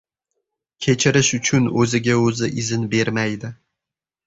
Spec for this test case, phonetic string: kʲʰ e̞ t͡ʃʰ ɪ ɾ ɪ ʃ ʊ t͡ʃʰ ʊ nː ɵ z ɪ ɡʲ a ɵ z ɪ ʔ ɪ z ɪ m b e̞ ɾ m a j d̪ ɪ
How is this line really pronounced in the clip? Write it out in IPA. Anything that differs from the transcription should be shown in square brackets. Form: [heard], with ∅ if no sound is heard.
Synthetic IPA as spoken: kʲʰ e̞ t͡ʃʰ ɪ ɾ ɪ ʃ ʊ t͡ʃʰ ʊ [n] ɵ z ɪ ɡʲ a ɵ z ɪ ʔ ɪ z ɪ [n] b e̞ ɾ m a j d̪ ɪ